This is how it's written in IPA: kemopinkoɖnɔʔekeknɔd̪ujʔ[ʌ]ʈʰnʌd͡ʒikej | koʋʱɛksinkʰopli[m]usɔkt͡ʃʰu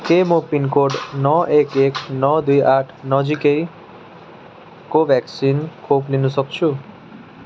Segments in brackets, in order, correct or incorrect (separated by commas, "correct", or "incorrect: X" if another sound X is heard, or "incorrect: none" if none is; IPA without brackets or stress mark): incorrect: a, incorrect: n